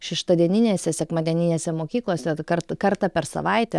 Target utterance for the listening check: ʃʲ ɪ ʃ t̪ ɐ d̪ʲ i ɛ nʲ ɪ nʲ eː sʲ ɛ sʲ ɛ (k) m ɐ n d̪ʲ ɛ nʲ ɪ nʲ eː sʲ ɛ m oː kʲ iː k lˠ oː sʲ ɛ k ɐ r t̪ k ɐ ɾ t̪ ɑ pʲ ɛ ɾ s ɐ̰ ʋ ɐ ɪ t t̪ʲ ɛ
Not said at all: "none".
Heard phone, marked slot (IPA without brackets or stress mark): k